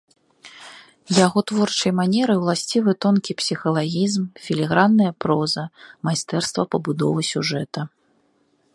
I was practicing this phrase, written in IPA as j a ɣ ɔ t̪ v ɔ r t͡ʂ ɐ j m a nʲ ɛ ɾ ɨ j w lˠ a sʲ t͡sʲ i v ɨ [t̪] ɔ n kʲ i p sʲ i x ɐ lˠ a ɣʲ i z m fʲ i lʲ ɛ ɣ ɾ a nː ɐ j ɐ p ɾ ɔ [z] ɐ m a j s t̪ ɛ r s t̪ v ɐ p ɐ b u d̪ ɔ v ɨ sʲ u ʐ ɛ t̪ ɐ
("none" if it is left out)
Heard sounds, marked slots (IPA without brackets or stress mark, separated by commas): t̪, z